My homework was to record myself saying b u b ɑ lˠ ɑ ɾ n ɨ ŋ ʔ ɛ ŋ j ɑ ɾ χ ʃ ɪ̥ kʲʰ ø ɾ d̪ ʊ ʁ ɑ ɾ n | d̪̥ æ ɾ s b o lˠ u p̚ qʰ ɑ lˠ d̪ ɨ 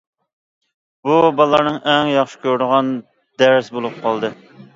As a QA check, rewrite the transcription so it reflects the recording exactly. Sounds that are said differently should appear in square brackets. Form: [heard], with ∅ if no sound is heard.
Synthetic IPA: b u b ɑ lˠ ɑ ɾ n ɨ ŋ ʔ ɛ ŋ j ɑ [∅] χ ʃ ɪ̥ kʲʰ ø ɾ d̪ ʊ ʁ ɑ [∅] n | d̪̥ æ ɾ s b o lˠ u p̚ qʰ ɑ lˠ d̪ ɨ